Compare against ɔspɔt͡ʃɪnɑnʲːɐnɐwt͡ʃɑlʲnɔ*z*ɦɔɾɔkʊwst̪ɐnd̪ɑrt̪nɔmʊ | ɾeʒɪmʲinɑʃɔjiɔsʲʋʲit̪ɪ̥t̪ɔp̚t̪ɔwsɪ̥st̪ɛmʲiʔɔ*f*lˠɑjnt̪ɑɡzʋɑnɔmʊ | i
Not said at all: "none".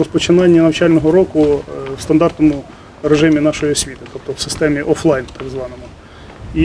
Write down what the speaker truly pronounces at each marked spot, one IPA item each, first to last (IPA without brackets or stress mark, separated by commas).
none, f